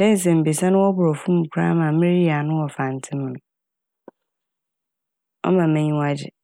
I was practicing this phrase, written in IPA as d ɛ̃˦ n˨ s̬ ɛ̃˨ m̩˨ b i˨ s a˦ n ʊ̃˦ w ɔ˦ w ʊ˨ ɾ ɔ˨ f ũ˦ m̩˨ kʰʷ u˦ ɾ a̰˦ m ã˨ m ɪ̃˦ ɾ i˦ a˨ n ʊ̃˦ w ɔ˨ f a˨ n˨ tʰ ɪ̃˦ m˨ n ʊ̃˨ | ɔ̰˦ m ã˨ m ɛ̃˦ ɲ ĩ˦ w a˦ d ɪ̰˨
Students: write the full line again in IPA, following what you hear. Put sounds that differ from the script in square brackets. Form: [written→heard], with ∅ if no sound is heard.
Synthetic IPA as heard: d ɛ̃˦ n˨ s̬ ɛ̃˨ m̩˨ b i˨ s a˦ n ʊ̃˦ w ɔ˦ [w→b] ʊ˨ ɾ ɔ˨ f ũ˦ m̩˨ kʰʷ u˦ ɾ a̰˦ m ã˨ m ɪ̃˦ ɾ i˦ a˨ n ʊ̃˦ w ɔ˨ f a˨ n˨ tʰ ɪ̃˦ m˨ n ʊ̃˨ | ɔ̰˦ m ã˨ m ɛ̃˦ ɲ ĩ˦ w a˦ [d→d͡ʑ] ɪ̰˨